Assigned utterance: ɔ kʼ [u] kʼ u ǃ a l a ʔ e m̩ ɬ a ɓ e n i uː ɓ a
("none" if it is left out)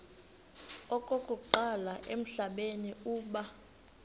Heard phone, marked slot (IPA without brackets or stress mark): o